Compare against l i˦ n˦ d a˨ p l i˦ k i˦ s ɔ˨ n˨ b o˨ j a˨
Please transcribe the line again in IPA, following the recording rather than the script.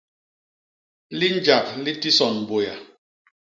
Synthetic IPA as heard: l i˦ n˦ d͡ʒ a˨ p l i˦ t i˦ s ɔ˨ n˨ b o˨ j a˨